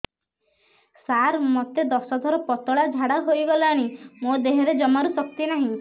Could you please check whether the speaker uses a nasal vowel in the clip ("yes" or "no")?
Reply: yes